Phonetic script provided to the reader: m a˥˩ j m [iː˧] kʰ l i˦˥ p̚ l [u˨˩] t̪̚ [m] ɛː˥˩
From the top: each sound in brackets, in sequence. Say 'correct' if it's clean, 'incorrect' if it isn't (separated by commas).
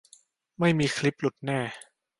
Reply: correct, correct, incorrect